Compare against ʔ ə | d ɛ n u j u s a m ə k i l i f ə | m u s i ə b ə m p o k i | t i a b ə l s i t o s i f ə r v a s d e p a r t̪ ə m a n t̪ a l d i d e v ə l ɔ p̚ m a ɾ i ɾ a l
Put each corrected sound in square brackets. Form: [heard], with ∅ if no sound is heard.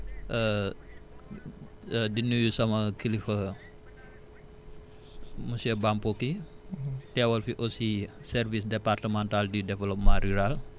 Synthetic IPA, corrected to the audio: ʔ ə | d [i] n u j u s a m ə k i l i f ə | m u s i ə b [a] m p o k i | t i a [w] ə l [f] i [ʔ] o s i [s] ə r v [i] s d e p a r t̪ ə m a n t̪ a l d i d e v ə l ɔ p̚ m a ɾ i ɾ a l